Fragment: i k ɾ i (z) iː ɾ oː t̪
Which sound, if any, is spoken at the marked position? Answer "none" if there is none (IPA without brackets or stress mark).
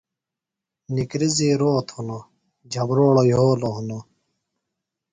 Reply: z